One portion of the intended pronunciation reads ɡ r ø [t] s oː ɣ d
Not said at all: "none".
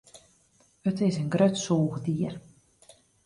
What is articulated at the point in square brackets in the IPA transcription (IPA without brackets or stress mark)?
t